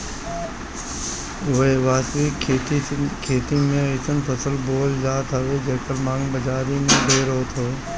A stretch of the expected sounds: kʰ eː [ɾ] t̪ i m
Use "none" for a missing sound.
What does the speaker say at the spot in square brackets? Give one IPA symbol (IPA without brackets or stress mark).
none